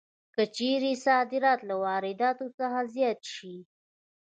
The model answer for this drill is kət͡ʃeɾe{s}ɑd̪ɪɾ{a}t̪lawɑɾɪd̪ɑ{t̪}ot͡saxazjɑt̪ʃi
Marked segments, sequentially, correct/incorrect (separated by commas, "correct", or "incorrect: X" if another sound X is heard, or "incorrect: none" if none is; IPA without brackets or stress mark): correct, incorrect: ɑ, correct